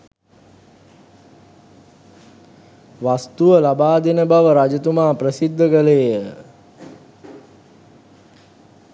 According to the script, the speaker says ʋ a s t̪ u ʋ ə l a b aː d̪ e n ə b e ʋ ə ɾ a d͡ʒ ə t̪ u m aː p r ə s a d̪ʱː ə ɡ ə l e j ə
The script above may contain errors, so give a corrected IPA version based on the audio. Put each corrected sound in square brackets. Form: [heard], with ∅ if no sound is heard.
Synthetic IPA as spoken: ʋ a s t̪ u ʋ ə l a b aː d̪ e n ə b [a] ʋ ə ɾ a d͡ʒ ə t̪ u m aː p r ə s [i] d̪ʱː ə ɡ ə l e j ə